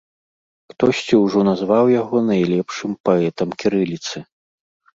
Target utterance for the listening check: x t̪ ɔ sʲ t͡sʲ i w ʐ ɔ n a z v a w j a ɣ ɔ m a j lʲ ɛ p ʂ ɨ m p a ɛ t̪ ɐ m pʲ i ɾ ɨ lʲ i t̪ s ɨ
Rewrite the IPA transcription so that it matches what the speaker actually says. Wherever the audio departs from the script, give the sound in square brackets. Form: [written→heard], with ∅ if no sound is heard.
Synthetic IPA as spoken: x t̪ ɔ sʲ t͡sʲ i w ʐ ɔ n a z v a w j a ɣ ɔ [m→n] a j lʲ ɛ p ʂ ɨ m p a ɛ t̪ ɐ m [pʲ→kʲ] i ɾ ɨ lʲ i t̪ s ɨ

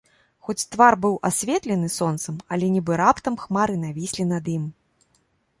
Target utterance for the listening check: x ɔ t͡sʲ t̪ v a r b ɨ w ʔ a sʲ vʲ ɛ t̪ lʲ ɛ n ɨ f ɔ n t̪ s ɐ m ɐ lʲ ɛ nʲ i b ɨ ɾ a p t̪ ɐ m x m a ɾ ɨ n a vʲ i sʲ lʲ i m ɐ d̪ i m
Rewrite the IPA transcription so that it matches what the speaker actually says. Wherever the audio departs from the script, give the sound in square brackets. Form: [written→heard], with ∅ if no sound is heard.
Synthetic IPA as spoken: x ɔ t͡sʲ t̪ v a r b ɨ w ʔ a sʲ vʲ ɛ t̪ lʲ ɛ n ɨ [f→s] ɔ n t̪ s ɐ m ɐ lʲ ɛ nʲ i b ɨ ɾ a p t̪ ɐ m x m a ɾ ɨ n a vʲ i sʲ lʲ i [m→n] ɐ d̪ i m

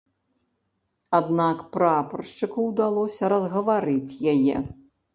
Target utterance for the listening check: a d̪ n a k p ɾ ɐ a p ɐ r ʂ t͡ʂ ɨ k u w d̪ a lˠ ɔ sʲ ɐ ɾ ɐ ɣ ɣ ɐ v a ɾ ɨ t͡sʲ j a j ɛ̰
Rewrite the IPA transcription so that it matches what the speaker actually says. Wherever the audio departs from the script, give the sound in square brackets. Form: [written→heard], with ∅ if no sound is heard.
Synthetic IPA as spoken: a d̪ n a k p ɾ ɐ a p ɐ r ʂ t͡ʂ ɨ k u w d̪ a lˠ ɔ sʲ ɐ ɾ ɐ [ɣ→z] ɣ ɐ v a ɾ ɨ t͡sʲ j a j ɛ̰

